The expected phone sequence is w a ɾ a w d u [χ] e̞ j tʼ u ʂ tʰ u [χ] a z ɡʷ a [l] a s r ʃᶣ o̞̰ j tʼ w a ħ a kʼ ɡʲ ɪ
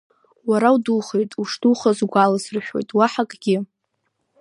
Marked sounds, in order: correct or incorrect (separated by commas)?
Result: correct, correct, correct